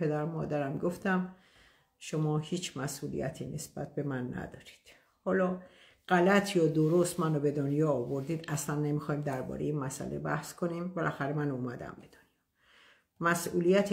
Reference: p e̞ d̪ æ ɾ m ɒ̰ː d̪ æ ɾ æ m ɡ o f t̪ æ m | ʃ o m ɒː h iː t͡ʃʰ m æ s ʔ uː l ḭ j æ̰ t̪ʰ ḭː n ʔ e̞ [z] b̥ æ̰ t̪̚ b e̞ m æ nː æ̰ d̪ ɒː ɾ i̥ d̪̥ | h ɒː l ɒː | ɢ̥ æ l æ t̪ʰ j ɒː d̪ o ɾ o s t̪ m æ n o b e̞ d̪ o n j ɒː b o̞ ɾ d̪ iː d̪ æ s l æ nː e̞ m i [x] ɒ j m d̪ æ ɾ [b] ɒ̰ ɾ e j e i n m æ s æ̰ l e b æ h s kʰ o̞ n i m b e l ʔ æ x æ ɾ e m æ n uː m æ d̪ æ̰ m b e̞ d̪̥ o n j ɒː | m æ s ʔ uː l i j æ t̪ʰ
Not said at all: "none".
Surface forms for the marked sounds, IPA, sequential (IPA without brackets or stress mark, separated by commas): s, x, b